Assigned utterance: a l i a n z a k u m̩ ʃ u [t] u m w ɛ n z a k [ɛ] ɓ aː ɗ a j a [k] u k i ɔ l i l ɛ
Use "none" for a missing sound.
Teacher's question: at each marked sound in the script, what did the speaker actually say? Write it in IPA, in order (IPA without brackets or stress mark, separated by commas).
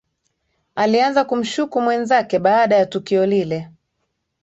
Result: k, ɛ, t